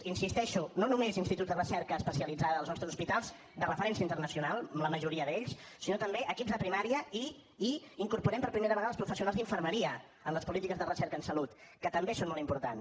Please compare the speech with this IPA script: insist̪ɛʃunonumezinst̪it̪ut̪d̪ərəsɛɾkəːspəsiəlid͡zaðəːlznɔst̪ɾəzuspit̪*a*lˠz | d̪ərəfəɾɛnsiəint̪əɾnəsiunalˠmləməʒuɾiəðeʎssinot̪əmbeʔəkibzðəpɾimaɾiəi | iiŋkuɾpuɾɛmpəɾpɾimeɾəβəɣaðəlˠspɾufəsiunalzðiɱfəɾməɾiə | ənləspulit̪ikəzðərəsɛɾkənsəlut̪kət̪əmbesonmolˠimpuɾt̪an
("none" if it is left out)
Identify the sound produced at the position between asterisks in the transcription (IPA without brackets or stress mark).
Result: a